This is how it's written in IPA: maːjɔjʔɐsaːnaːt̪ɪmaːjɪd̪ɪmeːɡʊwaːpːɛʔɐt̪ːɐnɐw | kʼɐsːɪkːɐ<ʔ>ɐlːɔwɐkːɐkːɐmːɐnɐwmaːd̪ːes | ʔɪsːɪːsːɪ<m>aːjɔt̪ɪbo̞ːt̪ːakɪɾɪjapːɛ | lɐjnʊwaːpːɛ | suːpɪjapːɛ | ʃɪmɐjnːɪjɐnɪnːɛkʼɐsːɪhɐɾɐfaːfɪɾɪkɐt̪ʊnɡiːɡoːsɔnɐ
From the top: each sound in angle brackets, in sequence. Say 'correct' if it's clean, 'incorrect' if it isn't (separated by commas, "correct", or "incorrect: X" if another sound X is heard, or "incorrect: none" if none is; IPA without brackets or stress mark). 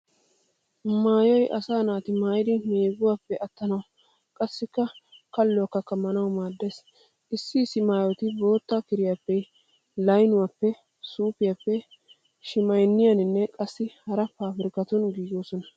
incorrect: k, correct